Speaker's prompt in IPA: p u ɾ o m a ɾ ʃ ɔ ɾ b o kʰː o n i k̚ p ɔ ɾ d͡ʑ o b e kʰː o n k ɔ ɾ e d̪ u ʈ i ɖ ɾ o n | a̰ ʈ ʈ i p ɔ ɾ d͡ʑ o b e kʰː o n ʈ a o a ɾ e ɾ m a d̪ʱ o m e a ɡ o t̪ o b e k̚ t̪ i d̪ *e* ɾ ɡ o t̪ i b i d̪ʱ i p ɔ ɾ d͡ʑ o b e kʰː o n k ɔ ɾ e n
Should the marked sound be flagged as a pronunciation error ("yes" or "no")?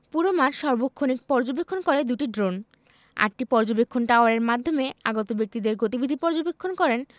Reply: no